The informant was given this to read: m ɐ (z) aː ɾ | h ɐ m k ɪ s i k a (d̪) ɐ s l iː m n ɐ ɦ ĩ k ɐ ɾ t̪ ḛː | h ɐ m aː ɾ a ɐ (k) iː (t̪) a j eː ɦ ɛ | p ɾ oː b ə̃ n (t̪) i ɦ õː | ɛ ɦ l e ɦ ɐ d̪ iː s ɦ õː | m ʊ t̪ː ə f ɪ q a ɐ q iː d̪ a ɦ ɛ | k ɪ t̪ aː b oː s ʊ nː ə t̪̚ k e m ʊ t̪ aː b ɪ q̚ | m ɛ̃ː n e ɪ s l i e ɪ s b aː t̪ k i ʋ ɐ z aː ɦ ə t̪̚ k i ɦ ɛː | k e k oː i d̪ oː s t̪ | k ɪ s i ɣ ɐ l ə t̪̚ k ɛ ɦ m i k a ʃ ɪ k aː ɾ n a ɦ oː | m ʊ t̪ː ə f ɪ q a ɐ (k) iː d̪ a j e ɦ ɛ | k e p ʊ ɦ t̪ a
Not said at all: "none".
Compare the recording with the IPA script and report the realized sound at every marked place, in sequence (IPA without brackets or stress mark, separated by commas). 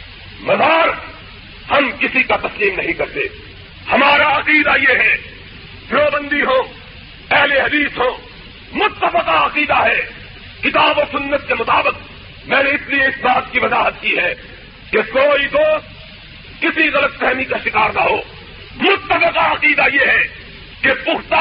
z, t̪, q, d̪, d̪, q